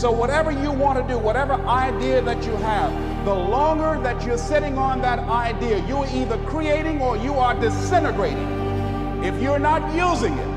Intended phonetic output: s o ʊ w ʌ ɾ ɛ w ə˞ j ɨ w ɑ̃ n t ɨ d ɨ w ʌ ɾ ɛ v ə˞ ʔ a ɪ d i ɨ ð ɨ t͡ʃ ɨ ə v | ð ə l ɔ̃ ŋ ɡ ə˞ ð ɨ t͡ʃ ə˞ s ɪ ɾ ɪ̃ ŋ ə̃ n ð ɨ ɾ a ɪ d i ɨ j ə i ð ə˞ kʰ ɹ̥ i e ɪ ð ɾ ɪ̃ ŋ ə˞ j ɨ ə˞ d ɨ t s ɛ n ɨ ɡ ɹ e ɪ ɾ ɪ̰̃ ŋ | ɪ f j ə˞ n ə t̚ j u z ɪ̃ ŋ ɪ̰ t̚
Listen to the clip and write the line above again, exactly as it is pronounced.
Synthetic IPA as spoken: s o ʊ w ʌ ɾ ɛ v ə˞ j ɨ w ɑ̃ n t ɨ d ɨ w ʌ ɾ ɛ v ə˞ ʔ a ɪ d i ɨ ð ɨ t͡ʃ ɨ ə v | ð ə l ɔ̃ ŋ ɡ ə˞ ð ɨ t͡ʃ ə˞ s ɪ ɾ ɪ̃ ŋ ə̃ n ð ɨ ɾ a ɪ d i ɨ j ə i ð ə˞ kʰ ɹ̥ i e ɪ ɾ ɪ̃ ŋ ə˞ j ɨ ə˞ d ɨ s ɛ n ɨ ɡ ɹ e ɪ ɾ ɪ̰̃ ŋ | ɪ f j ə˞ n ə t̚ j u z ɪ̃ ŋ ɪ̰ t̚